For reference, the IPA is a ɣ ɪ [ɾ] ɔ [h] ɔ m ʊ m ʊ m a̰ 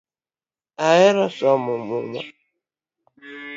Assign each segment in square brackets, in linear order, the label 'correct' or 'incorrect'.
correct, incorrect

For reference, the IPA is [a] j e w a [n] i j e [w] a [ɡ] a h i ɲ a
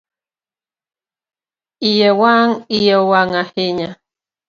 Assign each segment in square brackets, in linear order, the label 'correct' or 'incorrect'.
incorrect, incorrect, correct, incorrect

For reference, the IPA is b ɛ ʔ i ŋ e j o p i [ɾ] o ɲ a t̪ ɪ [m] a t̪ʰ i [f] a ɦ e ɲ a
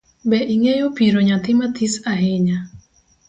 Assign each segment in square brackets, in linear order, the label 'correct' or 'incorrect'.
correct, correct, incorrect

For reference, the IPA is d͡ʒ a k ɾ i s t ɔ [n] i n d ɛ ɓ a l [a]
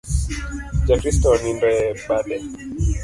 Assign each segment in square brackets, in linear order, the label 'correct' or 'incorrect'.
correct, incorrect

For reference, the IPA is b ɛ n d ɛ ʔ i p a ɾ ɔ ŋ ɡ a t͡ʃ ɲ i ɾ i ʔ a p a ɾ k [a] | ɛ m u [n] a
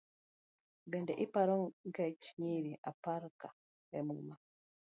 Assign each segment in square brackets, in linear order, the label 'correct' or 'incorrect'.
correct, incorrect

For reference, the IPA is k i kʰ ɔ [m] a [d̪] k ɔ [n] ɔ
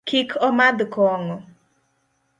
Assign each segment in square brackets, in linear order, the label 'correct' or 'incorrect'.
correct, correct, incorrect

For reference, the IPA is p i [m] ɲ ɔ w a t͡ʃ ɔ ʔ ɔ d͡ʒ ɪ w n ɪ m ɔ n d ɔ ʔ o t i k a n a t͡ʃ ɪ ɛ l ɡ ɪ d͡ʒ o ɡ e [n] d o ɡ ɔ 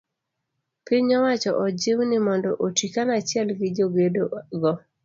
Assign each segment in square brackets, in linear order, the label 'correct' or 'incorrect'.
incorrect, incorrect

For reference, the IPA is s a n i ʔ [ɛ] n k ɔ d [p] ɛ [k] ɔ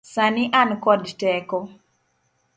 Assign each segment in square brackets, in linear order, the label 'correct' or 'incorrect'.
incorrect, incorrect, correct

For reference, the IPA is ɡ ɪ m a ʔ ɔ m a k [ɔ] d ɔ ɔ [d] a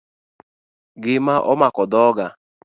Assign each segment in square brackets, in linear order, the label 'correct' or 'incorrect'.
correct, incorrect

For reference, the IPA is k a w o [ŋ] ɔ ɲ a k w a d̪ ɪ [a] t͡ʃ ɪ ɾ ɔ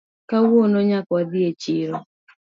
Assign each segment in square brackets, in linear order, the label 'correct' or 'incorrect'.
incorrect, incorrect

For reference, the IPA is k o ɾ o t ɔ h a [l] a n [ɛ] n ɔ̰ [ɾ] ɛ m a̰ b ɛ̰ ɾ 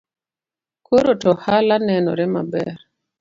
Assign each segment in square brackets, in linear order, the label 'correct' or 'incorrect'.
correct, correct, correct

